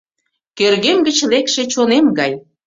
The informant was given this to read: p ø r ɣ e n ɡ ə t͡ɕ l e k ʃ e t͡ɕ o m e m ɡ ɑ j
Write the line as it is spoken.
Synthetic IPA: k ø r ɣ e m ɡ ə t͡ɕ l e k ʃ e t͡ɕ o n e m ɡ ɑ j